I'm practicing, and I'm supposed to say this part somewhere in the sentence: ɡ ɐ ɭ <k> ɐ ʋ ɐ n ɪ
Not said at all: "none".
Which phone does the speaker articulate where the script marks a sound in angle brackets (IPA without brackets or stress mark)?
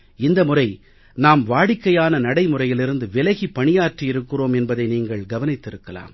ɡ